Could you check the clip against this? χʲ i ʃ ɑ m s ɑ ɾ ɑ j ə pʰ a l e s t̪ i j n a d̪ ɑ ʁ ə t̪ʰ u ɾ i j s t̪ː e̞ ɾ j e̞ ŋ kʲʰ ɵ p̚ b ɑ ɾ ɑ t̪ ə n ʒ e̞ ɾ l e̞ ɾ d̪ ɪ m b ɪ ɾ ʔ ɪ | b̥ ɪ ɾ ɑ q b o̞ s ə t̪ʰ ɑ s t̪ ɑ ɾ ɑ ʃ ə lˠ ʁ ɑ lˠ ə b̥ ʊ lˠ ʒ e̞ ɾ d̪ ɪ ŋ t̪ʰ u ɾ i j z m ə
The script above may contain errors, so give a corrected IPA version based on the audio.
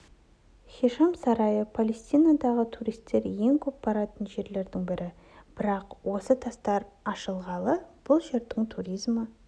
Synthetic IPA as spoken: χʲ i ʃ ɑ m s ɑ ɾ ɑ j ə pʰ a l e s t̪ i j n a d̪ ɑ ʁ ə t̪ʰ u ɾ i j s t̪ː e̞ ɾ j e̞ ŋ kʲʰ ɵ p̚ b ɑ ɾ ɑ t̪ ə n ʒ e̞ ɾ l e̞ ɾ d̪ ɪ ŋ b ɪ ɾ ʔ ɪ | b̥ ɪ ɾ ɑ q w o̞ s ə t̪ʰ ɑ s t̪ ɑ ɾ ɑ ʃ ə lˠ ʁ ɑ lˠ ə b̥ ʊ lˠ ʒ e̞ ɾ d̪ ɪ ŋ t̪ʰ u ɾ i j z m ə